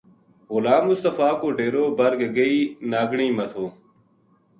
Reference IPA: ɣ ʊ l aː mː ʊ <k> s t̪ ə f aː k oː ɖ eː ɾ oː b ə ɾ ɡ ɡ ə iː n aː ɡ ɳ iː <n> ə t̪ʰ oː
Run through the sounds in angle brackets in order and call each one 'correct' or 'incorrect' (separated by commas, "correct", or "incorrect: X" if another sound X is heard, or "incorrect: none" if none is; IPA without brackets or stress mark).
incorrect: none, incorrect: m